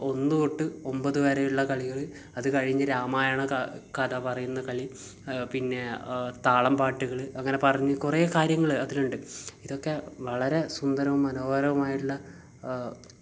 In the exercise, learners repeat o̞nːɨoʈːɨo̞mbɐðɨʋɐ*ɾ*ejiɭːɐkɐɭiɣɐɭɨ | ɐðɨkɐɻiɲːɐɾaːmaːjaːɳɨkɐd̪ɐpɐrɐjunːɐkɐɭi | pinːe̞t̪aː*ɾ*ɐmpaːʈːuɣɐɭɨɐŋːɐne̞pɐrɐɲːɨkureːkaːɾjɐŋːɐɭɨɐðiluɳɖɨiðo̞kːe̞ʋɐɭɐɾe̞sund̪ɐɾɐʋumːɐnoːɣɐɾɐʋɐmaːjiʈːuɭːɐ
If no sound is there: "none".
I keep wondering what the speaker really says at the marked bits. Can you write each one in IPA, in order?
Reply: ɾ, ɭ

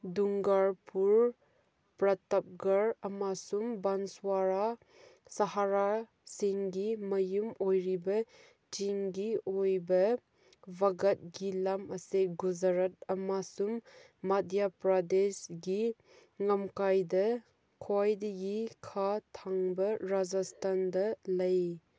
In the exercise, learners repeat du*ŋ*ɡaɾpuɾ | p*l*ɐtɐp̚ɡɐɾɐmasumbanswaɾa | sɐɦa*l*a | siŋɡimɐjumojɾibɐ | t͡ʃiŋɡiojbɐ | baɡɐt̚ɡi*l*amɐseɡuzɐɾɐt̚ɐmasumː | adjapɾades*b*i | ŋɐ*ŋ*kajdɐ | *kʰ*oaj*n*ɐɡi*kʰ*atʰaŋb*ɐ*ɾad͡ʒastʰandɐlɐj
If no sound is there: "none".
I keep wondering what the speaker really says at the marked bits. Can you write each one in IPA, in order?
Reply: ŋ, ɾ, ɾ, l, ɡ, m, kʰ, d, kʰ, ɐ

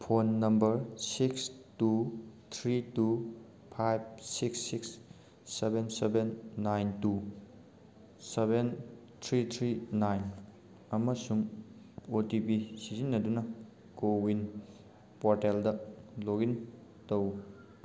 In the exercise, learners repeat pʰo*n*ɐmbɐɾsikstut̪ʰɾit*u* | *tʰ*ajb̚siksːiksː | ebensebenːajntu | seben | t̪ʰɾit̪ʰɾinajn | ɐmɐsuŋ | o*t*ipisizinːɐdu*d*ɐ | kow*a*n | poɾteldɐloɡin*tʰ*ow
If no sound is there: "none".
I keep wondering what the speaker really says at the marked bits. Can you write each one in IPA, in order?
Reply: nː, u, pʰ, t, n, i, t

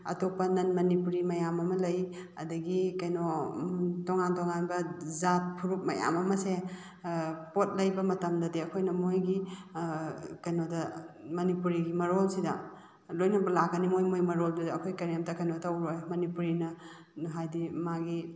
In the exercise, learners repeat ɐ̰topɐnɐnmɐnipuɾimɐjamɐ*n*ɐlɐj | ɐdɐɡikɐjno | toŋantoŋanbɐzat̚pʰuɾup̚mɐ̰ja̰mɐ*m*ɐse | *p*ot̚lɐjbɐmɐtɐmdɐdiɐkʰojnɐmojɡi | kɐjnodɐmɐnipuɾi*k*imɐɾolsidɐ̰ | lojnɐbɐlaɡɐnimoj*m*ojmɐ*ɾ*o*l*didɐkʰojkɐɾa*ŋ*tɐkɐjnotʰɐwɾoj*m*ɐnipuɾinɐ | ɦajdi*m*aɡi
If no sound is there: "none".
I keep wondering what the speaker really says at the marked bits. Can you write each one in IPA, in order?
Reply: m, m, p, ɡ, m, ɾ, l, m, m, m

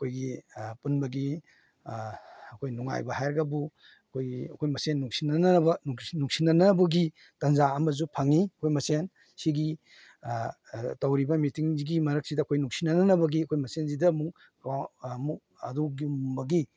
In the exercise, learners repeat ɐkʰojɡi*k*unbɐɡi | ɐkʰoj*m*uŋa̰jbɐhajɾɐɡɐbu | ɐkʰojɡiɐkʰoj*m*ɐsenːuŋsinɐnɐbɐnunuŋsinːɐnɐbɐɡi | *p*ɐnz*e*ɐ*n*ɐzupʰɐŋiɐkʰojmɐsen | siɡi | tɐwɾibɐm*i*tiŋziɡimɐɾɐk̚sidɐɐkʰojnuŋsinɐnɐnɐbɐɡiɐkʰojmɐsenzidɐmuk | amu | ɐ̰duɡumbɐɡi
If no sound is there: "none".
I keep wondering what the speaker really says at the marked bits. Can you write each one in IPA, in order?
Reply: p, n, m, t, a, m, i

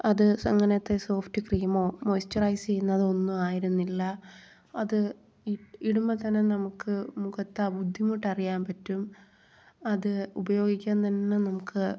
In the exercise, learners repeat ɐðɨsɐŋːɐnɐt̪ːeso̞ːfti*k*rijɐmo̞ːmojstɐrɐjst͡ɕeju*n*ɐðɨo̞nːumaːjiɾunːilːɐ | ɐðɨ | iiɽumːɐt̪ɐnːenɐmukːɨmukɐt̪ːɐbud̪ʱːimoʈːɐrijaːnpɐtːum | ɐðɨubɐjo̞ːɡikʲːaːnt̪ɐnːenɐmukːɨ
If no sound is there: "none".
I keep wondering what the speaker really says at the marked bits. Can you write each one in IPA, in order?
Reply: k, nː

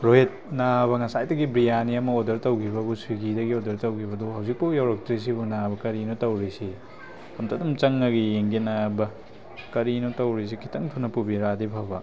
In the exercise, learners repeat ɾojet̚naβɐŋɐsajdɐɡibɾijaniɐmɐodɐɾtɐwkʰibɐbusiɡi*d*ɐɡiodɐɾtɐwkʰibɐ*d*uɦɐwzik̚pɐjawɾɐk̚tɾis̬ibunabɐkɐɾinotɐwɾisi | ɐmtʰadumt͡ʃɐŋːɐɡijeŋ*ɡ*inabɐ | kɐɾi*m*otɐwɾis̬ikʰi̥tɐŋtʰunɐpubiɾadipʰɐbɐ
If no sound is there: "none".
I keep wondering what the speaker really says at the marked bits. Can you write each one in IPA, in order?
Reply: d, d, ɡ, n

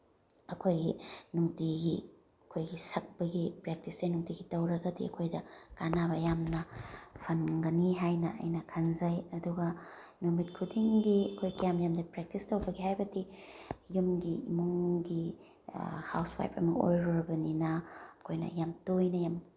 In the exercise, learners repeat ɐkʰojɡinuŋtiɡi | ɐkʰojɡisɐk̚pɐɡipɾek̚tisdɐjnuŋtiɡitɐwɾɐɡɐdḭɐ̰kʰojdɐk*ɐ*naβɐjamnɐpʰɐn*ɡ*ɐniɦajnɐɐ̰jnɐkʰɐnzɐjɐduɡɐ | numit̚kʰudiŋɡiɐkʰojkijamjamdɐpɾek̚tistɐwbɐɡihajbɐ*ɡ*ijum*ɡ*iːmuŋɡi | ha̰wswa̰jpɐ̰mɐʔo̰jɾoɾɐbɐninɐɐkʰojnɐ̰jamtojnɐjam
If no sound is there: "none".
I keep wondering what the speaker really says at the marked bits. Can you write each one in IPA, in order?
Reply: a, ɡ, d, ɡ

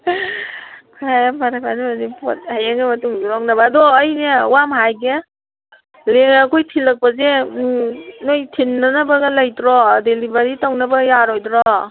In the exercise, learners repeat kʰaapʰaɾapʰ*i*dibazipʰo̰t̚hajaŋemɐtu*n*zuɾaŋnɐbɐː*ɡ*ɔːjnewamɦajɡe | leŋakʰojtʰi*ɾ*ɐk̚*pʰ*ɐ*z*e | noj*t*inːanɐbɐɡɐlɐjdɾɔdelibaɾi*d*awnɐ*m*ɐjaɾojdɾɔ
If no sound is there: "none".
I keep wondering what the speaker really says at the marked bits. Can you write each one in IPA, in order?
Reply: a, ŋ, d, l, p, z, tʰ, t, b

